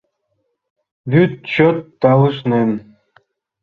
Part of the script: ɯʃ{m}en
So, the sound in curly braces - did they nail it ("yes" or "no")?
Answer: no